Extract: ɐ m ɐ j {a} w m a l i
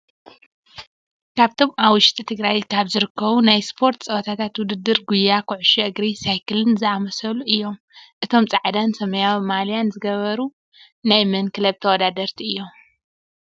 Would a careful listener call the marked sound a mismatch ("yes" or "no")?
no